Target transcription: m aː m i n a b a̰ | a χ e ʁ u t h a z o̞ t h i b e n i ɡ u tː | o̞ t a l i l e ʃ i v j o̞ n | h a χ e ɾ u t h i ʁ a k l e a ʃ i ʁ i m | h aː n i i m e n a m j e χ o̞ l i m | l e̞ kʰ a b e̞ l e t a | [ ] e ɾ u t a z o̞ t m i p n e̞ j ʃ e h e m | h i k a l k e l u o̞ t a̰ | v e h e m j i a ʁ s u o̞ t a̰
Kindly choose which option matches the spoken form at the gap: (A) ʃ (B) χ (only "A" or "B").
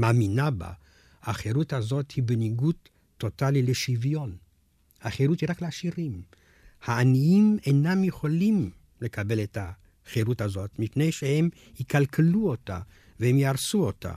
B